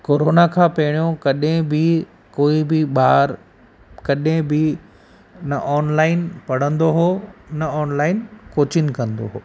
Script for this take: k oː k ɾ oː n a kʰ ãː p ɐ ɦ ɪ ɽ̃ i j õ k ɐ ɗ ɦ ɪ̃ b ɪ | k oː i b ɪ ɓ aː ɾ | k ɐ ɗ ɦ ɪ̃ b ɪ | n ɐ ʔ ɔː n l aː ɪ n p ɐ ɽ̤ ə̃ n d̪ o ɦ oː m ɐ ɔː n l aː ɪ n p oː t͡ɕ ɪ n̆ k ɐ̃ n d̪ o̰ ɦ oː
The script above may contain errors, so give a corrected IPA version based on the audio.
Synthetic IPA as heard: k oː ɾ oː n a kʰ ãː p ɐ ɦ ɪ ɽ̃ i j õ k ɐ ɗ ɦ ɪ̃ b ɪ | k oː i b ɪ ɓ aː ɾ | k ɐ ɗ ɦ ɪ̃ b ɪ | n ɐ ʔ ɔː n l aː ɪ n p ɐ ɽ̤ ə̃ n d̪ o ɦ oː n ɐ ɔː n l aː ɪ n k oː t͡ɕ ɪ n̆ k ɐ̃ n d̪ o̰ ɦ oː